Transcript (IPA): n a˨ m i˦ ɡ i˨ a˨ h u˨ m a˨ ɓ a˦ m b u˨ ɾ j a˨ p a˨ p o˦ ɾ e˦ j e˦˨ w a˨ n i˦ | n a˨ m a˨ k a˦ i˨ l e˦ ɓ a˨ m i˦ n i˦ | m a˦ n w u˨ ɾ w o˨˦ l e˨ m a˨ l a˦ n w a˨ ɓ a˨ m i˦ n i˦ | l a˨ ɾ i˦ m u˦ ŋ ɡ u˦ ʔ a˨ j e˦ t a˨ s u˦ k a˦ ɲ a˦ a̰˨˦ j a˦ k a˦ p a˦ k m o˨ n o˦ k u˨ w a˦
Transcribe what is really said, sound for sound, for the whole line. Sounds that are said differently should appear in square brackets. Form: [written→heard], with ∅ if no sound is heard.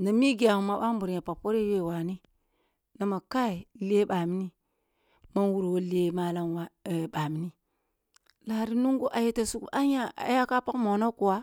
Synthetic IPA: n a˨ m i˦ ɡ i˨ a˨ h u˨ m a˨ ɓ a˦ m b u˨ ɾ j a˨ p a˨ p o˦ ɾ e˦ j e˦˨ w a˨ n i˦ | n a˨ m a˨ k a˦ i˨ l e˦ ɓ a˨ m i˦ n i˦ | m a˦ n w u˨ ɾ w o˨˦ l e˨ m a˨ l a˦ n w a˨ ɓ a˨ m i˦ n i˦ | l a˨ ɾ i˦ [m→n] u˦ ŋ ɡ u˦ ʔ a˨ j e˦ t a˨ s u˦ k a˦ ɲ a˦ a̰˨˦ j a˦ k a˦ p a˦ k m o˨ n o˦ k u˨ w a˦